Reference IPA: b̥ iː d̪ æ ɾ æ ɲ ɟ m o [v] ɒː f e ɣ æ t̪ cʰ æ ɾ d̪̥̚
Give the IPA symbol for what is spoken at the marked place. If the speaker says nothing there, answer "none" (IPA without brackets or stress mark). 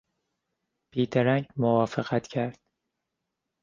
v